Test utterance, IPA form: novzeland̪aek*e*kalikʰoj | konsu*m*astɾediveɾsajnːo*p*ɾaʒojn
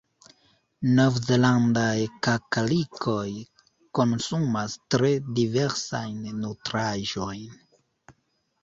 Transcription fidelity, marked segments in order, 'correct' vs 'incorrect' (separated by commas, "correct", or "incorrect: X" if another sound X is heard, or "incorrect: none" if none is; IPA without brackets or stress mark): incorrect: a, correct, incorrect: t